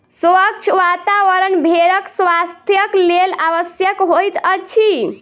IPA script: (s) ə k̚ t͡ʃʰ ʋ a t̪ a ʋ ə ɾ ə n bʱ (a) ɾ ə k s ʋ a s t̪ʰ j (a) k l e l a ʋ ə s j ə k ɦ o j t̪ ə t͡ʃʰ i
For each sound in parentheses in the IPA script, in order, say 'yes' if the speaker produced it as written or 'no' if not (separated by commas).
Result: yes, no, no